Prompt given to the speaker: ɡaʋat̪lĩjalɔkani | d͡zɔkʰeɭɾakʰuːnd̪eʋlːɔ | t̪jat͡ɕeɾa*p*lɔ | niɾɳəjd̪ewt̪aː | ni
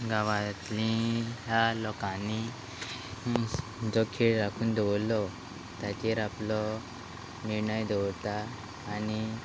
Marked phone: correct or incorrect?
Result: correct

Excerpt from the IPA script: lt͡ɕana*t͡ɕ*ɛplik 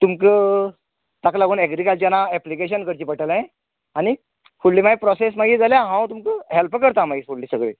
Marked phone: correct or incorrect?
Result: incorrect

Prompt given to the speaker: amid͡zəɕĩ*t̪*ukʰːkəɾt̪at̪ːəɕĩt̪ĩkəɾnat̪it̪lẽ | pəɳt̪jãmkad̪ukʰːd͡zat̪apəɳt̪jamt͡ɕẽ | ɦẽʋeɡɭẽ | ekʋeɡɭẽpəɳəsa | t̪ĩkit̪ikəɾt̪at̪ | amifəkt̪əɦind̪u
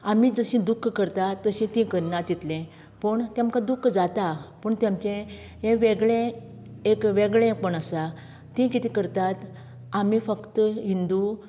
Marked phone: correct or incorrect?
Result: incorrect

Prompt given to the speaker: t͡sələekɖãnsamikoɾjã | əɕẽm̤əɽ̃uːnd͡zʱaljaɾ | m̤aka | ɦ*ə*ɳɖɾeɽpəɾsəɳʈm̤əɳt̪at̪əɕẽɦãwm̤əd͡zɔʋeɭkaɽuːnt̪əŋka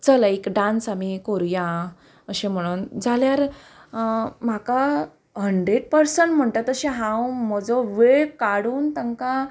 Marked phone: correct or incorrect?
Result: correct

